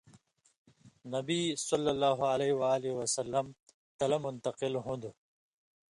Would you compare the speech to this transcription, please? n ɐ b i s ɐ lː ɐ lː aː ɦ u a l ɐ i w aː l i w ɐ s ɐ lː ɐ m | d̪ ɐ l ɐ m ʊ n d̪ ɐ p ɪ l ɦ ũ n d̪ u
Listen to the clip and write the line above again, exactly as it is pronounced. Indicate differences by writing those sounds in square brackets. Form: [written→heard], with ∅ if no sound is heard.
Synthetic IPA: n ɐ b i s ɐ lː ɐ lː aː ɦ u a l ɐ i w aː l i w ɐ s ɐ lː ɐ m | [d̪→t̪] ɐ l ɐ m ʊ n [d̪→t̪] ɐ [p→q] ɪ l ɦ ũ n d̪ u